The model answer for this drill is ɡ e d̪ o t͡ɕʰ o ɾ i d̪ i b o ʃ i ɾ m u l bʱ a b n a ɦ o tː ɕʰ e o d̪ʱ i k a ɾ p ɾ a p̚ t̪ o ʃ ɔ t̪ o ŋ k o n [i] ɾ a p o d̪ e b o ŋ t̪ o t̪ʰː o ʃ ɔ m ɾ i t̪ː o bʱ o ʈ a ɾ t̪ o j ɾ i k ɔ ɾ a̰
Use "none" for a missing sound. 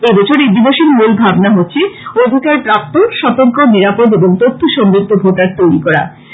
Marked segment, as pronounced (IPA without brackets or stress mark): i